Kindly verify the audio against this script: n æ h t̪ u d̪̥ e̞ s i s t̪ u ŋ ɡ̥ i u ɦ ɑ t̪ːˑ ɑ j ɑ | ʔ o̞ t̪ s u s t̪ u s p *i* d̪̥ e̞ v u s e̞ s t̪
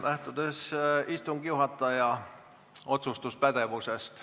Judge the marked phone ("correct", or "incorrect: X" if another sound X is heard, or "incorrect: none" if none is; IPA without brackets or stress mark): incorrect: æ